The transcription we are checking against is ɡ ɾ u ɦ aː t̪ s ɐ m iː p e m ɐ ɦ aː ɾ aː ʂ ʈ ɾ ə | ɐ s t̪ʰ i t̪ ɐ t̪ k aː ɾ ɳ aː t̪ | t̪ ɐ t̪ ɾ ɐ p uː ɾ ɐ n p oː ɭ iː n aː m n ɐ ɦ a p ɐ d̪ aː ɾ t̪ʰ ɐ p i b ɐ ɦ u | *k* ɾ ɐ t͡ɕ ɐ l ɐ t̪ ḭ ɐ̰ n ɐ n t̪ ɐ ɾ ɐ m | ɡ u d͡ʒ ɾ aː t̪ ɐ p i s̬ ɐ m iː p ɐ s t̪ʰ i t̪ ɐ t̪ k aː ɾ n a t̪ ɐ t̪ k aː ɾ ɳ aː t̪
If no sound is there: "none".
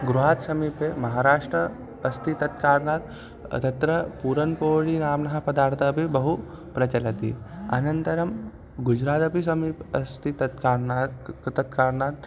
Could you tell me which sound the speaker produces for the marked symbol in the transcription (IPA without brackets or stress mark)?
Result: p